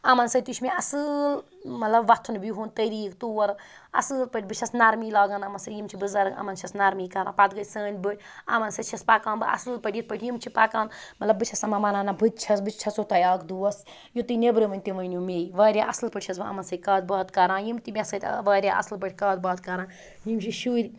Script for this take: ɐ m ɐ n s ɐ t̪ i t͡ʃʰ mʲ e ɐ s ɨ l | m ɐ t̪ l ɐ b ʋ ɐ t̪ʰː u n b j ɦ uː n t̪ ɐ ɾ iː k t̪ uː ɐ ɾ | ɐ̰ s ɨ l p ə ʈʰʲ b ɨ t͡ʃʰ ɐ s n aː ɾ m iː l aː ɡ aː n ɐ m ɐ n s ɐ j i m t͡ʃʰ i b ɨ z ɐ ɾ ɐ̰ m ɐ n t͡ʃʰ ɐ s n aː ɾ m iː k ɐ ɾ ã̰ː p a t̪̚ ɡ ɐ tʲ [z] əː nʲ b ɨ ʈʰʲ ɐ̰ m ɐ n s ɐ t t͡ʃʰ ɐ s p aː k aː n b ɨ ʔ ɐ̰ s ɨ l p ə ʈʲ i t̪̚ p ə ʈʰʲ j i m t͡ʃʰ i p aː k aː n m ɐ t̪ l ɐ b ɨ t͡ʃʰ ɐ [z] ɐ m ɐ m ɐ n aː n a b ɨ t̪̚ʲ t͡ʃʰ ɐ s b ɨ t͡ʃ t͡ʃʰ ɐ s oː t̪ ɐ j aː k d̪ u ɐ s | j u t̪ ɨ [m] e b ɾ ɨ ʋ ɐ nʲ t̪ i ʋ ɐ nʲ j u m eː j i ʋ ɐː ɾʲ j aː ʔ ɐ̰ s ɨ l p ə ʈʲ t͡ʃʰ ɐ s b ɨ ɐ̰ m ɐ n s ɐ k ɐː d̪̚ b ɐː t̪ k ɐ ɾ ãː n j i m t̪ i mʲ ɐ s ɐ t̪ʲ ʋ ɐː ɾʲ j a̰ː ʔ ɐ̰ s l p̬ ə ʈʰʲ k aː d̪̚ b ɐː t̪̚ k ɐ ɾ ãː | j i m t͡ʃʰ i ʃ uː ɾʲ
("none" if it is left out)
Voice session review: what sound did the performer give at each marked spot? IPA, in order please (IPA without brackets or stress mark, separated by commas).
s, s, n